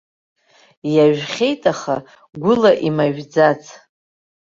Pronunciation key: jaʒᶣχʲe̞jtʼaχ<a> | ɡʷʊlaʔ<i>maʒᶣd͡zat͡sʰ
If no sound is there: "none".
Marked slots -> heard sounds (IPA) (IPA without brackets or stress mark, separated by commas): a, i